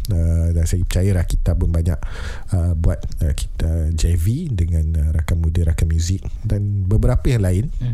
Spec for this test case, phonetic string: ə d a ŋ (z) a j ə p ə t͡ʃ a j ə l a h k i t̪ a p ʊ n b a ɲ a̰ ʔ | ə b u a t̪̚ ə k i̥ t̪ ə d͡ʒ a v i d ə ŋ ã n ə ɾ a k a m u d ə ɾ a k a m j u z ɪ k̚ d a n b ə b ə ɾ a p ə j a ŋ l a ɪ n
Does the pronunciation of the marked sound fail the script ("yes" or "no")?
yes